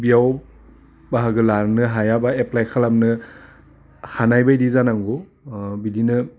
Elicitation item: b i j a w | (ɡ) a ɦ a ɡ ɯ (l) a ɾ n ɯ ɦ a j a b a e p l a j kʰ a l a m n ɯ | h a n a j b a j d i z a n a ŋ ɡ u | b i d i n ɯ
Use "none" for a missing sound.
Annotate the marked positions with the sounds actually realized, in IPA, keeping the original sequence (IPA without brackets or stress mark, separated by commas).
b, l